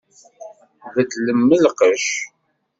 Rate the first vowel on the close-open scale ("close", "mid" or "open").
mid